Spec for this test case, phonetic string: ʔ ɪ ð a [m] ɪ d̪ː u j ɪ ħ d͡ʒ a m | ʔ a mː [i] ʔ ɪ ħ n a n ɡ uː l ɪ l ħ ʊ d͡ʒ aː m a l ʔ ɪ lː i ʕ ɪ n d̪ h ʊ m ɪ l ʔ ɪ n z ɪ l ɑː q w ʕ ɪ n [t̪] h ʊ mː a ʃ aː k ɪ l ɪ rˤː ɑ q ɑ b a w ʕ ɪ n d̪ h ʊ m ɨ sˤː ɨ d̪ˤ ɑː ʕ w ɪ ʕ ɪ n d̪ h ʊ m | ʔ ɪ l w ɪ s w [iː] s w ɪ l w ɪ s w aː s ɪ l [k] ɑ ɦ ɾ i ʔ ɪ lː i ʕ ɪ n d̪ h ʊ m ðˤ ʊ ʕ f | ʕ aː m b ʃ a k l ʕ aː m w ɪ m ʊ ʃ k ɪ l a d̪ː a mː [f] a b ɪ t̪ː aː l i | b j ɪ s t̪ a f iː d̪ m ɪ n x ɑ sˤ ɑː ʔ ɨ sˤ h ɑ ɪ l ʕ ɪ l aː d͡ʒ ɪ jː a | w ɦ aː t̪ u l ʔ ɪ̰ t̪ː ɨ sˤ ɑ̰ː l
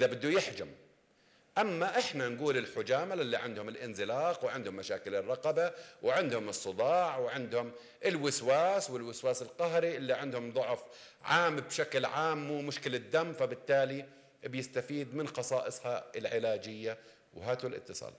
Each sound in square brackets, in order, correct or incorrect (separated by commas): incorrect, incorrect, incorrect, incorrect, incorrect, correct